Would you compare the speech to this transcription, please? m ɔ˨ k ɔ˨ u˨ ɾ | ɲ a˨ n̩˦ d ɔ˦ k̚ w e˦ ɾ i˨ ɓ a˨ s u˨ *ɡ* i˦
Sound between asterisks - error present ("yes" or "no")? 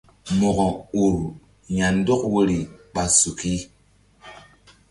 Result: yes